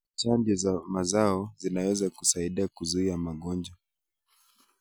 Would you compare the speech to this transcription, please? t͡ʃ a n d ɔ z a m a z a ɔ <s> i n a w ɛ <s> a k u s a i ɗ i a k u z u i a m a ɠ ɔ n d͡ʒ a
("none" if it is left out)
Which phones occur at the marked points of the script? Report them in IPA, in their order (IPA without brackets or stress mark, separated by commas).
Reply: z, z